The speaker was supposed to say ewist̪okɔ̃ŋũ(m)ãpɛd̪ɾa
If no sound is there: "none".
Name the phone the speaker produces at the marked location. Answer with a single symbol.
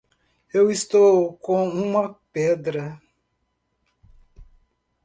m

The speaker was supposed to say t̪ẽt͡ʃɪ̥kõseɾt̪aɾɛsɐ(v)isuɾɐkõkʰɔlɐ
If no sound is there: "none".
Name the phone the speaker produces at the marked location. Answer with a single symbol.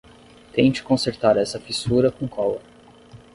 f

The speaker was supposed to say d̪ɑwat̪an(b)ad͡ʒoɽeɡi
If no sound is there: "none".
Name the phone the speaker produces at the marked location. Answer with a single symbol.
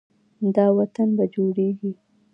b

